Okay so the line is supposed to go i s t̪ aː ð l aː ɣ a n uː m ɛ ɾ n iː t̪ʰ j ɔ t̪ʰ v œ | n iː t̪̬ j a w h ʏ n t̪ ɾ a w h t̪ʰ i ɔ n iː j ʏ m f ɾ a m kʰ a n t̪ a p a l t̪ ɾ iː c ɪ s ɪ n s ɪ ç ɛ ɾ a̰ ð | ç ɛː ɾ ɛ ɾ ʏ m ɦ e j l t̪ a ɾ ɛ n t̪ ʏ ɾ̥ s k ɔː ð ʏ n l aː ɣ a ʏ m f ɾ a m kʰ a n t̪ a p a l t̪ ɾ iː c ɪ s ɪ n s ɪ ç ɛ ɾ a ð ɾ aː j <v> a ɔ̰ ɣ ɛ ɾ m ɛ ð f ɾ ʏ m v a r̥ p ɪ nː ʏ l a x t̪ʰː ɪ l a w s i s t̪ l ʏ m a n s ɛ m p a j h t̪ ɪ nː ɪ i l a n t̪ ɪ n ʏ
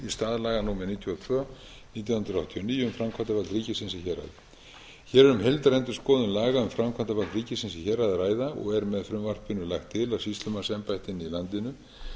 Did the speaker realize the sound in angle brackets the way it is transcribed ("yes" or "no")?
no